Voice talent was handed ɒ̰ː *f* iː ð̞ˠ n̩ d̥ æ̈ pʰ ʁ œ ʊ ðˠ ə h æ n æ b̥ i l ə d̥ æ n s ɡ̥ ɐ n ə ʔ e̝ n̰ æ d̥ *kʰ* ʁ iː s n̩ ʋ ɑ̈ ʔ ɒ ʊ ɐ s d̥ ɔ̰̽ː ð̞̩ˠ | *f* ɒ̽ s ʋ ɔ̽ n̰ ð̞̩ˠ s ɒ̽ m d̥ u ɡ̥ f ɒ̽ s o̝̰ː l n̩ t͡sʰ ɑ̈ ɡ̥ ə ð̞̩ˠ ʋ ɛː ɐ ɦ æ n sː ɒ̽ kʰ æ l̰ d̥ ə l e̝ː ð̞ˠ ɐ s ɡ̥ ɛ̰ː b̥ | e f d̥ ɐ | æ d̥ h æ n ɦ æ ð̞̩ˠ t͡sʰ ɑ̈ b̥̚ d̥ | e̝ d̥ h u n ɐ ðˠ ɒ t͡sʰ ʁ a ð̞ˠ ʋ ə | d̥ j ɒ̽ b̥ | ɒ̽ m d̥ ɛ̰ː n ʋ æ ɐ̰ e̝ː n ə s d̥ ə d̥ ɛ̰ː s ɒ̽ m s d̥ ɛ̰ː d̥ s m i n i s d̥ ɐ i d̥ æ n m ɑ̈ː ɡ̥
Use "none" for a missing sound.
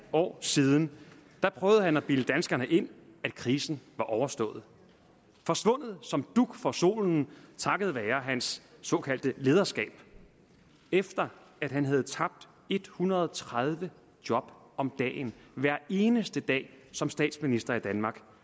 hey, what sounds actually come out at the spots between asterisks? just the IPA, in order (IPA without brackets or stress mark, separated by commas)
s, kʰ, f